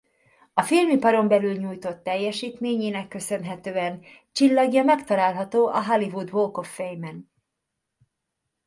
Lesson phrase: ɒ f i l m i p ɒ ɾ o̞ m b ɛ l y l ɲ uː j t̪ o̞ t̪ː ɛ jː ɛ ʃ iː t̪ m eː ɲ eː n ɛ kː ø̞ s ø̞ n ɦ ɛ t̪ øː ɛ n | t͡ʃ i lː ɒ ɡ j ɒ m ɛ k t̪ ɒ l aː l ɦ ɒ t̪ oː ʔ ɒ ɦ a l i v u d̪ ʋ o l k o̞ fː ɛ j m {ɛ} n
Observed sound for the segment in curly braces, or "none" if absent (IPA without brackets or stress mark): ɛ